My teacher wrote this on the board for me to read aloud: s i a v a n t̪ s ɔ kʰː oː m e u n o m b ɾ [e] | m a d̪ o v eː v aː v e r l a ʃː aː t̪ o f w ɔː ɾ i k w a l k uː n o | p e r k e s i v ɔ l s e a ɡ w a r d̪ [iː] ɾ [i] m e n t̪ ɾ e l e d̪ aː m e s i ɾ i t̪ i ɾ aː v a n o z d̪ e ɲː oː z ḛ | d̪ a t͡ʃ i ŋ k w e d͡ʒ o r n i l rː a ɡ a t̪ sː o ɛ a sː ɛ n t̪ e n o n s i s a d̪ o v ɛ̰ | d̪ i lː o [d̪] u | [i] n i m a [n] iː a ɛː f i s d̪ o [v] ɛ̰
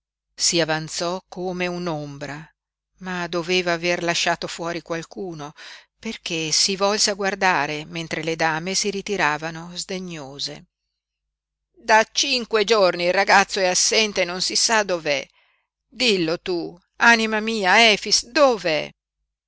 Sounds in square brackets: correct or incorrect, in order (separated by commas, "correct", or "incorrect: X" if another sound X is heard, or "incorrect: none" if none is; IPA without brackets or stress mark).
incorrect: a, incorrect: aː, incorrect: e, incorrect: t̪, incorrect: a, incorrect: m, correct